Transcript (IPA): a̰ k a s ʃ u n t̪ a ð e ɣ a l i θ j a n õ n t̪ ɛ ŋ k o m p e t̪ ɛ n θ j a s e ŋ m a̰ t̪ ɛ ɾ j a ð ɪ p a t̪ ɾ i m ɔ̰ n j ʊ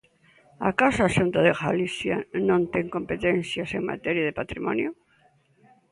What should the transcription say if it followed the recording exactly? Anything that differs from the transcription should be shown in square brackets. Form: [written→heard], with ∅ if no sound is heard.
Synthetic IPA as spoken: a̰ k a s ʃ u n t̪ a ð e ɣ a l i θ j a n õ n t̪ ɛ ŋ k o m p e t̪ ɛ n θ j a s e ŋ m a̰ t̪ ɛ ɾ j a ð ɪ p a t̪ ɾ i m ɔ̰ n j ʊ